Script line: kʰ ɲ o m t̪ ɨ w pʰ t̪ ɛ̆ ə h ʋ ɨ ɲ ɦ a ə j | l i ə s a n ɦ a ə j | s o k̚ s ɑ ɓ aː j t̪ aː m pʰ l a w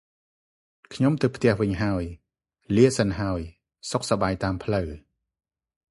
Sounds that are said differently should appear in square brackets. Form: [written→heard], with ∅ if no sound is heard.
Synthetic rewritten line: kʰ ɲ o m t̪ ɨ w pʰ t̪ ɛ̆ ə h ʋ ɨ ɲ ɦ a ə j | l i ə s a n ɦ a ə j | s o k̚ s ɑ ɓ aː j t̪ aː m pʰ l [a→ə] w

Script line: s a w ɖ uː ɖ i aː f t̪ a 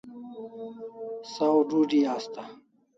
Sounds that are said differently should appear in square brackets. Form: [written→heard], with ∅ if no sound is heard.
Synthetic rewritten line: s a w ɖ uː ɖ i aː [f→s] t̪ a

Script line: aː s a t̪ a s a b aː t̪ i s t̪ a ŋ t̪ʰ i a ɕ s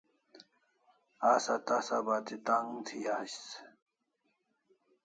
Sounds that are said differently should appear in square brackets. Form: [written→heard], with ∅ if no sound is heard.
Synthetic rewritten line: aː s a t̪ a s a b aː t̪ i [s→∅] t̪ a ŋ t̪ʰ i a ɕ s

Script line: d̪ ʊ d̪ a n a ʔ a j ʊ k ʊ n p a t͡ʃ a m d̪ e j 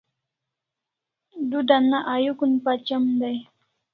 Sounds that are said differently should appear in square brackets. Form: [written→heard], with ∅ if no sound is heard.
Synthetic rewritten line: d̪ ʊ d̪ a n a ʔ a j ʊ k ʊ n p a t͡ʃ a m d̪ [e→a] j

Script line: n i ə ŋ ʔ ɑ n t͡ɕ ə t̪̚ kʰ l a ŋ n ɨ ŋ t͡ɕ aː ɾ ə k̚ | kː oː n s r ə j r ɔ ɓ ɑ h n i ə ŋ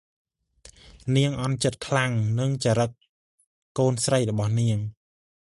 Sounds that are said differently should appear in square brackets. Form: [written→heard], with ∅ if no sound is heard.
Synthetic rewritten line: n i ə ŋ ʔ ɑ n t͡ɕ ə t̪̚ kʰ l a ŋ n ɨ ŋ t͡ɕ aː ɾ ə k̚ | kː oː n s r ə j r ɔ ɓ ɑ h n i ə ŋ

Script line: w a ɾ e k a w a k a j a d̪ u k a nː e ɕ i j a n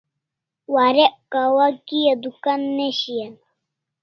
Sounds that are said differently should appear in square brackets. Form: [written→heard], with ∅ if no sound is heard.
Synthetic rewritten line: w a ɾ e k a w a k [a→i] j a d̪ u k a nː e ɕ i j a n

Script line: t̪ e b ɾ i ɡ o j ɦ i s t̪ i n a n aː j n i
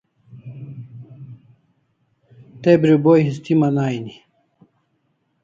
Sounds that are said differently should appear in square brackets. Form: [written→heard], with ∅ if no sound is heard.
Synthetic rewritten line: t̪ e b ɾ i [ɡ→b] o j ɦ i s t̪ i [n→m] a n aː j n i

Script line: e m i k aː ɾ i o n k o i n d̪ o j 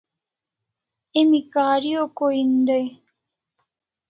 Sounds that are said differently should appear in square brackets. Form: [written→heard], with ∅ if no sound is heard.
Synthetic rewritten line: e m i k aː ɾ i o [n→∅] k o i n d̪ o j

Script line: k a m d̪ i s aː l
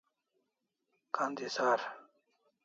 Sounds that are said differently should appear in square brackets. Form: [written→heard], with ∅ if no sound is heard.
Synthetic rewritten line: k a [m→n] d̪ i s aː [l→ɾ]

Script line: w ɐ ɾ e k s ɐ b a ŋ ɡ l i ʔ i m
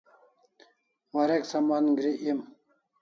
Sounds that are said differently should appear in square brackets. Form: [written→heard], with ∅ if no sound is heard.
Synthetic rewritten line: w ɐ ɾ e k s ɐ [b→m] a [ŋ→n] ɡ [l→ɾ] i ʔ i m

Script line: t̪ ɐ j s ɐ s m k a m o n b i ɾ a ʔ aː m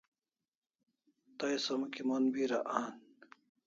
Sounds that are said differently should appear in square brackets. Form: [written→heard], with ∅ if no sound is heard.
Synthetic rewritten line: t̪ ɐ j s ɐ [s→∅] m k [a→i] m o n b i ɾ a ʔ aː [m→n]

